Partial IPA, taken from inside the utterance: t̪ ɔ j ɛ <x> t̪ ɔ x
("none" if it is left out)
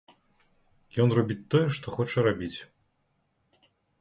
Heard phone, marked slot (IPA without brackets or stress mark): ʂ